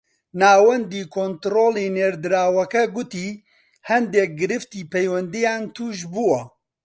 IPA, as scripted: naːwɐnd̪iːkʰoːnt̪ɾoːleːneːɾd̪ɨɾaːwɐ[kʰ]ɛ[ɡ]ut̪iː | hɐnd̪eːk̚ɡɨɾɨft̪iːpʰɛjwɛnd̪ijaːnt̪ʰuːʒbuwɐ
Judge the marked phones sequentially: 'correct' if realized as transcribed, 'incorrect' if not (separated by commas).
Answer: incorrect, correct